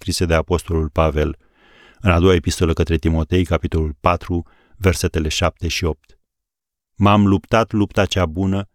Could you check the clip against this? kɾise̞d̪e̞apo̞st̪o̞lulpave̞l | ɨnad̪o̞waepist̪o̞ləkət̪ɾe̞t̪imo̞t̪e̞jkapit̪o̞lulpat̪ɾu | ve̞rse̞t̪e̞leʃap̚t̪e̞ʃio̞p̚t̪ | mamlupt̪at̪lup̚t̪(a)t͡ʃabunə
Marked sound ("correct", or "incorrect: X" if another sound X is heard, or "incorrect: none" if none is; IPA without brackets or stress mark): correct